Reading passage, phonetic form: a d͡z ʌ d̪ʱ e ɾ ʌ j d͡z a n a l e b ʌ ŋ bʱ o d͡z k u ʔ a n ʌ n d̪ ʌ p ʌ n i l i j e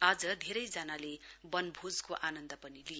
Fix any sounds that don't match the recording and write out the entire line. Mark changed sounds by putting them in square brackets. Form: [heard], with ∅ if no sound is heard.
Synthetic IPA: a d͡z ʌ d̪ʱ e ɾ ʌ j d͡z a n a l e b ʌ [n] bʱ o d͡z k [o] ʔ a n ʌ n d̪ ʌ p ʌ n i l i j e